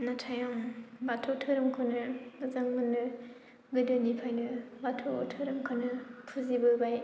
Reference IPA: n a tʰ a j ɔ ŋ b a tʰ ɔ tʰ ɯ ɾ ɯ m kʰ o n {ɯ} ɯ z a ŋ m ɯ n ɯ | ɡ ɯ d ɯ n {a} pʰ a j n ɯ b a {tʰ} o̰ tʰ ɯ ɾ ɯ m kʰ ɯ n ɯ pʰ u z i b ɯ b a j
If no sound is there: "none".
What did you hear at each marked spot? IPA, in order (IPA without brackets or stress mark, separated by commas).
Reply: ɯ, i, tʰ